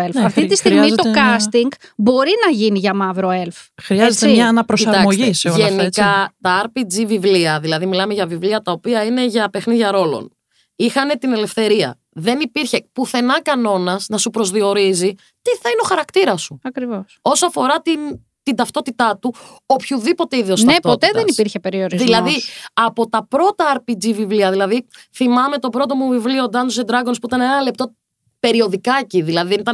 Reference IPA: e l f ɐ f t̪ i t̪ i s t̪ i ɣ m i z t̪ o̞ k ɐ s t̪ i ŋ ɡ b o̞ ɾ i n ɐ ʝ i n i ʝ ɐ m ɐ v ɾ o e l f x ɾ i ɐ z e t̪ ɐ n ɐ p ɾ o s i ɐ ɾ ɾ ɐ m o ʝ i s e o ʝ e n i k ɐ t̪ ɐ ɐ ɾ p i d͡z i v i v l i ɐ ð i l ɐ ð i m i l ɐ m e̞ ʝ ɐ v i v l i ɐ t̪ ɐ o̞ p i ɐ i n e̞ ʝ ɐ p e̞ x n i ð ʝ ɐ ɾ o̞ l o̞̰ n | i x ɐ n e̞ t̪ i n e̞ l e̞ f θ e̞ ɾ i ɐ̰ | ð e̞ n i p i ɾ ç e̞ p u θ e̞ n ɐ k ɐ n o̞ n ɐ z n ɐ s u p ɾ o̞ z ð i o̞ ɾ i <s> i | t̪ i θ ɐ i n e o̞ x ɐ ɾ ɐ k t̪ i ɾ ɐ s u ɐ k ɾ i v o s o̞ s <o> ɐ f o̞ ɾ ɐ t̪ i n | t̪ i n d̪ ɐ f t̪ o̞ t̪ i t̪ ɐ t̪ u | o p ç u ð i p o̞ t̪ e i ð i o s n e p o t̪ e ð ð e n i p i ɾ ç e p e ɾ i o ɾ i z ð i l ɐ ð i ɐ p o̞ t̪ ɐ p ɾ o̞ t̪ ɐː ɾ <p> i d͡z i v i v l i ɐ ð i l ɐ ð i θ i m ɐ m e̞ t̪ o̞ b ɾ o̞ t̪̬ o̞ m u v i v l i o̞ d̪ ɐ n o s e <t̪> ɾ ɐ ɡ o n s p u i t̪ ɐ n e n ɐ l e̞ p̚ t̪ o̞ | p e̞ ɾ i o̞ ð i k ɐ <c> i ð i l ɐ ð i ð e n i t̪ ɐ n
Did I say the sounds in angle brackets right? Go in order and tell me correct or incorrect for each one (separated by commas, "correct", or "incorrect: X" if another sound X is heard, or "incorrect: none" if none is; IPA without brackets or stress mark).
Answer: incorrect: z, correct, correct, incorrect: d̪, correct